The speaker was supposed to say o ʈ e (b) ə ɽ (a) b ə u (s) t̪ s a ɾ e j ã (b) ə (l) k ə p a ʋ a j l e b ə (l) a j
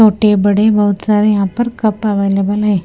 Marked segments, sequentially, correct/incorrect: correct, incorrect, incorrect, incorrect, incorrect, correct

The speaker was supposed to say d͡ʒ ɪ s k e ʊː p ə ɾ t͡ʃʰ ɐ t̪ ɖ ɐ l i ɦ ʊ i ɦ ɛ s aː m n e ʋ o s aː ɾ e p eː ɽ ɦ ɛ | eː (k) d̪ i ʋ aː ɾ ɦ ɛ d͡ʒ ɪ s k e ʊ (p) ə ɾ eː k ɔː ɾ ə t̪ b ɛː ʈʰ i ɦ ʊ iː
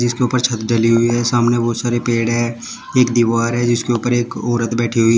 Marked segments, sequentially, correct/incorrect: correct, correct

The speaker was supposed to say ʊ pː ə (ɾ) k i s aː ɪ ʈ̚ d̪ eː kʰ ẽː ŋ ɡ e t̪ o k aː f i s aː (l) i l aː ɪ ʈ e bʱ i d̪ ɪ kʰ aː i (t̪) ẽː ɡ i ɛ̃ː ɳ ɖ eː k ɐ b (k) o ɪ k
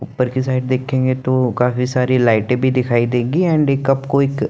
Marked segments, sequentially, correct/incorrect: correct, incorrect, incorrect, correct

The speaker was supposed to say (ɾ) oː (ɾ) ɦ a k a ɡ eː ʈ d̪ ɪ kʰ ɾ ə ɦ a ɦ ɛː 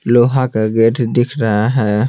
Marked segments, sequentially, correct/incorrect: incorrect, incorrect

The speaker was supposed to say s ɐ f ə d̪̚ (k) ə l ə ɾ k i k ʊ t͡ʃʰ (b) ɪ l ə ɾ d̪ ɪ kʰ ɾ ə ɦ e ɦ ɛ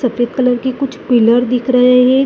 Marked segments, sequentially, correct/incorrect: correct, incorrect

